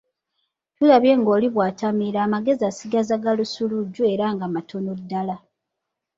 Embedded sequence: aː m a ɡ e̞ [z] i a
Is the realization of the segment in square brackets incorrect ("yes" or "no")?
no